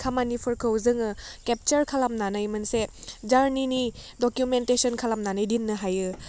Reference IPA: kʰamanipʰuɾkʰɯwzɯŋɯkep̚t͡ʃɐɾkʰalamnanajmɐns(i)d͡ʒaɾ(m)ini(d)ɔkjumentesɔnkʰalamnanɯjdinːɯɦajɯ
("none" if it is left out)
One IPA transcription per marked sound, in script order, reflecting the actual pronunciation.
e, n, d

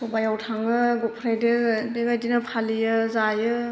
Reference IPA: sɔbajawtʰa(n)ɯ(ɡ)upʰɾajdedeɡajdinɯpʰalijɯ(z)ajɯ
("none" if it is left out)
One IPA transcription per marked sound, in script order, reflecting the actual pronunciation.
ŋ, ɡ, z

